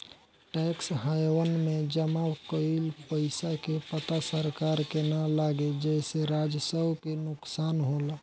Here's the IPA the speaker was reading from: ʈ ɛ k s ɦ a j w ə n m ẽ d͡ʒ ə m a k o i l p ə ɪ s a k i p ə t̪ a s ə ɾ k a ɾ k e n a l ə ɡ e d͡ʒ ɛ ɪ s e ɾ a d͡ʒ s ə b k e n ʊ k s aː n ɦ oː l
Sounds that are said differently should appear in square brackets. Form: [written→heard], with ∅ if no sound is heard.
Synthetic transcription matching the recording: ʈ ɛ k s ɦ a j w ə n m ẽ d͡ʒ ə m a k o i l p ə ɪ s a k [i→e] p ə t̪ a s ə ɾ k a ɾ k e n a l [ə→a] ɡ e d͡ʒ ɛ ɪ s e ɾ a d͡ʒ s ə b k e n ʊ k s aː n ɦ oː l